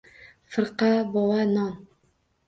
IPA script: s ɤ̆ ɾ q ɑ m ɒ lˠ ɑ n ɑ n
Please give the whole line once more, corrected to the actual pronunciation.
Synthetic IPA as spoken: f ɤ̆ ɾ q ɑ b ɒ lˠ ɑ n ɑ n